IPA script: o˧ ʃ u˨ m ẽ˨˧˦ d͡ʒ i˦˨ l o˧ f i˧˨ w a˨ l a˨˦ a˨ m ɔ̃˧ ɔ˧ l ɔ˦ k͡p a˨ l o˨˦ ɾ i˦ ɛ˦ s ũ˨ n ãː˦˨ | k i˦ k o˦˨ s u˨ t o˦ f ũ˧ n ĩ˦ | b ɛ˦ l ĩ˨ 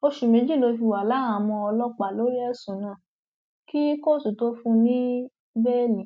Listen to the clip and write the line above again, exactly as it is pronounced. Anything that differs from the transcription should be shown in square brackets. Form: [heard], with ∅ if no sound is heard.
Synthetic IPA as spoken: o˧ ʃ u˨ m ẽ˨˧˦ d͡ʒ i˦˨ l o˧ f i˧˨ w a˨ l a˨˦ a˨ m ɔ̃˧ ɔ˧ l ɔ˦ k͡p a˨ l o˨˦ ɾ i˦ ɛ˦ s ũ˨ n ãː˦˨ | k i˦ k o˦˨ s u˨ t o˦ f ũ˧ n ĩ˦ | b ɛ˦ l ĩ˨